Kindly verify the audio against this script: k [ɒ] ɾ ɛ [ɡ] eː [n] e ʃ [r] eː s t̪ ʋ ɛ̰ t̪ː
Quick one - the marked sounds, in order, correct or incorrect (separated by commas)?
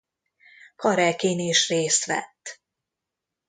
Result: correct, incorrect, correct, correct